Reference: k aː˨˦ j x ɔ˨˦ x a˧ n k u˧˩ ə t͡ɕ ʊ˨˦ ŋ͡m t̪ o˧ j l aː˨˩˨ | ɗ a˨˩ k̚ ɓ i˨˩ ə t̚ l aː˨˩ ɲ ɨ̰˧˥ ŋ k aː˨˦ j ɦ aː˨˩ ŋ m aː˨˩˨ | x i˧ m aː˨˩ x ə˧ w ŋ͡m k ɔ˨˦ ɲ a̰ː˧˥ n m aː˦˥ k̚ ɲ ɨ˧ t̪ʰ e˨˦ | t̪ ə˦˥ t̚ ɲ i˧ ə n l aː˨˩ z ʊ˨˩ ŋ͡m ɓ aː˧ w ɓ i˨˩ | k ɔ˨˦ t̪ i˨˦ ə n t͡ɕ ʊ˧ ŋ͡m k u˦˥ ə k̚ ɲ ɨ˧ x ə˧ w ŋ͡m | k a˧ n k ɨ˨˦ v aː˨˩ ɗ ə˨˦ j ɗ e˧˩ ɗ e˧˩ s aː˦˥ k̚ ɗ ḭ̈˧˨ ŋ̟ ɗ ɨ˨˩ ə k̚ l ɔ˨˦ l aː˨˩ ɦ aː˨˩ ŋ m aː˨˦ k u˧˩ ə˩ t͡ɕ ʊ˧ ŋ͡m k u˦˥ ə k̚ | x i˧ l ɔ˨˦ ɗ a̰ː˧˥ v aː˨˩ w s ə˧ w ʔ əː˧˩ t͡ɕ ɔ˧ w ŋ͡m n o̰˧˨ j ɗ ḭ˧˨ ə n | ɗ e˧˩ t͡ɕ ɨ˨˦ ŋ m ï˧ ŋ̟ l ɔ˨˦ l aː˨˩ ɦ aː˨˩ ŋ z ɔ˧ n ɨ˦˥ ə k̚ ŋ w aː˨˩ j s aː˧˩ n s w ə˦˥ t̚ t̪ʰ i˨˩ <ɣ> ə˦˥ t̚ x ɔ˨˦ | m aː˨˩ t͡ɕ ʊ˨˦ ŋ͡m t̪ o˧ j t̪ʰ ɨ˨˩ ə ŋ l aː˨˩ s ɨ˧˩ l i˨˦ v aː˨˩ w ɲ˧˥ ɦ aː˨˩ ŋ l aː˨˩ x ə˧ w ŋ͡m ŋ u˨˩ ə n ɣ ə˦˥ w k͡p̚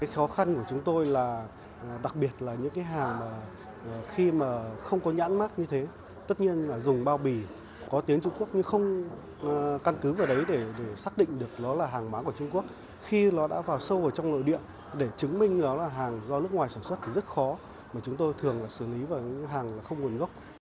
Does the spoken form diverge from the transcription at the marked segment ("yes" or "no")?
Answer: yes